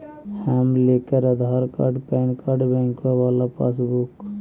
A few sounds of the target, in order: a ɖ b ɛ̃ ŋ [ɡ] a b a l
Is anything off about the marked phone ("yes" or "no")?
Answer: yes